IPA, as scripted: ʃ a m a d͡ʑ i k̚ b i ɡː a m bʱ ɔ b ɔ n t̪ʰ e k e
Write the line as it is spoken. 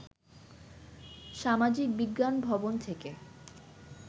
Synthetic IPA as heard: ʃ a m a d͡ʑ i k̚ b i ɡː a n bʱ ɔ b o n t̪ʰ e k e